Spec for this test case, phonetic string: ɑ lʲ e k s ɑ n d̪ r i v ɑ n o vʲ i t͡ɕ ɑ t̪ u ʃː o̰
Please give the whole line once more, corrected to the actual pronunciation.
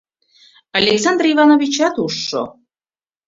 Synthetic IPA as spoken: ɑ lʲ e k s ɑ n d̪ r i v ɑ n o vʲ i t͡ɕ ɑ t̪ u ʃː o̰